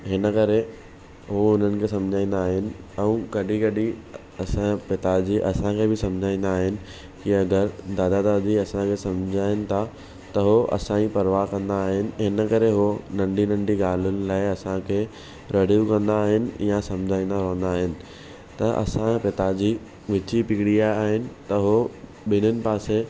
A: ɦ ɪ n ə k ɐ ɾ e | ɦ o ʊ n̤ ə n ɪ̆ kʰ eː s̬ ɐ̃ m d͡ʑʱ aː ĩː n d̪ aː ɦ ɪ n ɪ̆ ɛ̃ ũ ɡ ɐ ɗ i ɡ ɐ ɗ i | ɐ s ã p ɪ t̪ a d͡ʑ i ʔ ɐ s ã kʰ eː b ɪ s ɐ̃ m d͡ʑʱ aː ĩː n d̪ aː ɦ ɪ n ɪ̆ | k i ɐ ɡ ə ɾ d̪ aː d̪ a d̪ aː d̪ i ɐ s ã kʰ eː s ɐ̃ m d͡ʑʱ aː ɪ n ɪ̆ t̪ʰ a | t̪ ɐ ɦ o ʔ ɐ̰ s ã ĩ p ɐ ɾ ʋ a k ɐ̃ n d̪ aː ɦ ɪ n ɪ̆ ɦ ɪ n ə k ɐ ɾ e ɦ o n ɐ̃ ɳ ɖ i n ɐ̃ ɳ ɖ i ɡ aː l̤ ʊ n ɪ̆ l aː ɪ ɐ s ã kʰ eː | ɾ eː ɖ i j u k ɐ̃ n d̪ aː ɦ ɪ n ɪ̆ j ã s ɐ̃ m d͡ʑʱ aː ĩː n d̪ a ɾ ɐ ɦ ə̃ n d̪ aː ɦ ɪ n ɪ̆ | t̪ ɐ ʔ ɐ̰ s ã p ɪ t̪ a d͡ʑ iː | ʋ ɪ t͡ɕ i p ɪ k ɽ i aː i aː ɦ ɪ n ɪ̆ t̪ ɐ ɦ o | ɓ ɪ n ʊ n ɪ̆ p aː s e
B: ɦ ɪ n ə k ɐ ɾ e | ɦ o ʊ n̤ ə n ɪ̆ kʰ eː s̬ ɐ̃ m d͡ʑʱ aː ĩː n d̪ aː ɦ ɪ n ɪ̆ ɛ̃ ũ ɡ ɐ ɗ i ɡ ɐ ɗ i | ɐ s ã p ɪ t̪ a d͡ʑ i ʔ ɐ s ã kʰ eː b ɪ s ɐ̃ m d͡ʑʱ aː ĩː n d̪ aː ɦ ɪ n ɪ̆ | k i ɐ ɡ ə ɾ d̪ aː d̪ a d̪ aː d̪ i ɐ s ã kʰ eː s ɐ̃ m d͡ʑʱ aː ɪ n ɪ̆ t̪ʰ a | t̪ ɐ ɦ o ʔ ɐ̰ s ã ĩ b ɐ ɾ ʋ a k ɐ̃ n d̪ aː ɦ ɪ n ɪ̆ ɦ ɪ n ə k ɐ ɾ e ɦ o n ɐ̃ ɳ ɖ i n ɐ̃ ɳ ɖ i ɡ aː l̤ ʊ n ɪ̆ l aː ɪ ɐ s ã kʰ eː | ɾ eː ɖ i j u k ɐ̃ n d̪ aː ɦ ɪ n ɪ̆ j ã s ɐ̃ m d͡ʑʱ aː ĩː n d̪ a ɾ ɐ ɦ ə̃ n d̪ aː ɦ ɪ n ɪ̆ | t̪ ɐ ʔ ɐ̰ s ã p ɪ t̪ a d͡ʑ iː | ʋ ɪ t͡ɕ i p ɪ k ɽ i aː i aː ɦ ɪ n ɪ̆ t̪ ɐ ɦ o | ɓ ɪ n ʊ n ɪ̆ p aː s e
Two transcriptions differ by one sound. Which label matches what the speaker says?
A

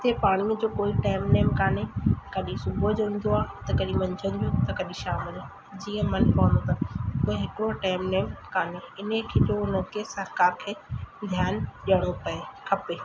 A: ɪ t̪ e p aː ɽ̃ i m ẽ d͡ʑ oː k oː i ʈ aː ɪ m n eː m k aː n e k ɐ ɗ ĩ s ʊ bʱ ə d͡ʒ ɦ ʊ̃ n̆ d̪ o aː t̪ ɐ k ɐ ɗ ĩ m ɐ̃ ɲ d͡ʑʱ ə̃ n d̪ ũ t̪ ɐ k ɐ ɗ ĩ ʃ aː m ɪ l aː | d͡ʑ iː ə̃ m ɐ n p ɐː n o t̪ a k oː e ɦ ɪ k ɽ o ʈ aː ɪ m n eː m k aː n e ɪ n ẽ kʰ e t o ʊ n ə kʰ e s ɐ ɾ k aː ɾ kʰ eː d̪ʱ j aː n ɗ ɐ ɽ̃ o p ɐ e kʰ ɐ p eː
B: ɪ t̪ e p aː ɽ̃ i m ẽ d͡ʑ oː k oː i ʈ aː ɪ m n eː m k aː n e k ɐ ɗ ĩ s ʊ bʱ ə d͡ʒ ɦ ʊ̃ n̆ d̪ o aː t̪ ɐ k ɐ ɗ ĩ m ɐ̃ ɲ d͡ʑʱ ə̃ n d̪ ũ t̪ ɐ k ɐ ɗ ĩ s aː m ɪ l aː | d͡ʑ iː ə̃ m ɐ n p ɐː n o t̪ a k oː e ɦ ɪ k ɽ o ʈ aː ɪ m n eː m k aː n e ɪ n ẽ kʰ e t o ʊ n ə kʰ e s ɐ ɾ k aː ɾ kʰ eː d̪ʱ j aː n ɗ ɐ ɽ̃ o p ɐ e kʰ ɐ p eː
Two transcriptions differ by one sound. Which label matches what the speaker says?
A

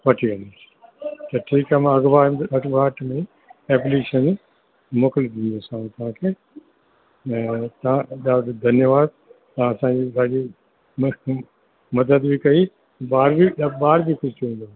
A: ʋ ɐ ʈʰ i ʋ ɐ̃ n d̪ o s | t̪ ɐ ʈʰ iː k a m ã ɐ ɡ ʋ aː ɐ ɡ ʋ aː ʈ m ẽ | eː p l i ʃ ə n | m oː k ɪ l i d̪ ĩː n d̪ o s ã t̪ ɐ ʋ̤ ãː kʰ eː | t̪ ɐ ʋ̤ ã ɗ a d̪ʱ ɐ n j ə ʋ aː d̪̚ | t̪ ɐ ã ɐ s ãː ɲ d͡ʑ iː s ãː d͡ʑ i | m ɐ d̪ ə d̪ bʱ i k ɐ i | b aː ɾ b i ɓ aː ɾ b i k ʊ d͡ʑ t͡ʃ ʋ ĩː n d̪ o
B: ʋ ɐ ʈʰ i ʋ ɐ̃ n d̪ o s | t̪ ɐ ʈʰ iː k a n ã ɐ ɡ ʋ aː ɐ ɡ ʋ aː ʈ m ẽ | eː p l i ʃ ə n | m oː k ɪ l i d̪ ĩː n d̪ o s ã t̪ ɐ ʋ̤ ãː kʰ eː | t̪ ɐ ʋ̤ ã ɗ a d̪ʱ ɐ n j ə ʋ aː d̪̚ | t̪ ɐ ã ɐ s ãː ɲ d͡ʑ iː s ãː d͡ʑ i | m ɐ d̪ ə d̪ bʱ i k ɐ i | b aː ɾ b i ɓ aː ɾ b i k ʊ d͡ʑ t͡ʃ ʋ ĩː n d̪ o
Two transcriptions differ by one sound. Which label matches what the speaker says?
A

